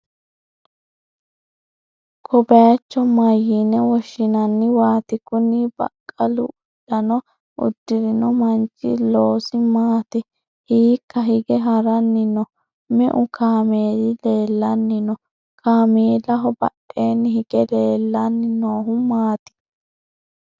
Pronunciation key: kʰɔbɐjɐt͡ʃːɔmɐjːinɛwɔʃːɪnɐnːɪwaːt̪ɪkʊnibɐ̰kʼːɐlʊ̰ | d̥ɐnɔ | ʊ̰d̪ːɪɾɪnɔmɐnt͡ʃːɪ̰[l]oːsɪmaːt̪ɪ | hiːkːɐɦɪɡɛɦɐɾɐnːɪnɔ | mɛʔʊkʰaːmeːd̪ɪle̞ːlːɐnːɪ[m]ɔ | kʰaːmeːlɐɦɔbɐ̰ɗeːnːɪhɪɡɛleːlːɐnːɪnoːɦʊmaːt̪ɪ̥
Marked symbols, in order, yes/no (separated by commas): yes, no